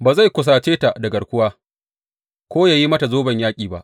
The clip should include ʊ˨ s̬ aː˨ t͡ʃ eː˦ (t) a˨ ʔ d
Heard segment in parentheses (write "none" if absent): t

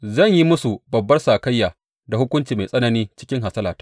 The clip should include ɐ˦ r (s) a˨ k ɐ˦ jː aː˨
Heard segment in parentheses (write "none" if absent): s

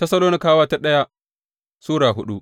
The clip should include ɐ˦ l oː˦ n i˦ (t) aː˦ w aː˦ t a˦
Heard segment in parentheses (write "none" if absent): k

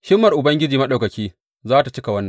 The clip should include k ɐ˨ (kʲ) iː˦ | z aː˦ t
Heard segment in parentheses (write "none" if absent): kʲ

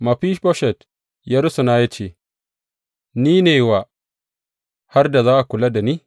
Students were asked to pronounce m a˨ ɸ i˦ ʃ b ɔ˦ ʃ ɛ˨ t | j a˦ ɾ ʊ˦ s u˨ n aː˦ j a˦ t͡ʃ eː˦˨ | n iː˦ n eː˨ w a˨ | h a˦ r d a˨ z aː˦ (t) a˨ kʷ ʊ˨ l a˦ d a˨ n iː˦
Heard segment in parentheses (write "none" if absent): ʔ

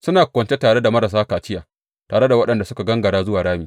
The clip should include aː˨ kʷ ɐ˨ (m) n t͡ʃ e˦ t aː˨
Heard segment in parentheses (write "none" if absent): none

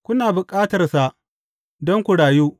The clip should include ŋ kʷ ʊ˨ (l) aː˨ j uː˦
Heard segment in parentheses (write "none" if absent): ɽ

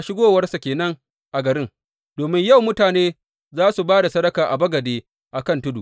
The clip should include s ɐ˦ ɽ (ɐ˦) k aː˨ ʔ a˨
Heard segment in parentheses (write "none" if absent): ɐ˦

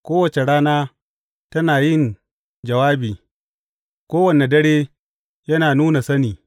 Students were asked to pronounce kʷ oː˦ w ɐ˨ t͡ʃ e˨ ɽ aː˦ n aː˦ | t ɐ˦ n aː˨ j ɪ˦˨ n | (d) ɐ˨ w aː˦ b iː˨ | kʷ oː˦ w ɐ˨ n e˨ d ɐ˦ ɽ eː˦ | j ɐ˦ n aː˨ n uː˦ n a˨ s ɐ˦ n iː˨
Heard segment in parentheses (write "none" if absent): d͡ʒ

